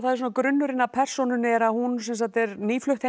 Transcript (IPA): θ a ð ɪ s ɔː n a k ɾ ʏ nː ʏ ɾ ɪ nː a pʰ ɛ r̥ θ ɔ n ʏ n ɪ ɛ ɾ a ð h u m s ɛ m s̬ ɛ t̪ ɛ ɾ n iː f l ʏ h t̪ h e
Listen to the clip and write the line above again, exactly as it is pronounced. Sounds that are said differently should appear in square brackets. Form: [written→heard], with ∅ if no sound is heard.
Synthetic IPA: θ a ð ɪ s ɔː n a k ɾ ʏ nː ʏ ɾ ɪ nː a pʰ ɛ r̥ [θ→s] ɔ n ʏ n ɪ ɛ ɾ a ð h u [m→n] s ɛ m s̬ [ɛ→a] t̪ ɛ ɾ n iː f l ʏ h t̪ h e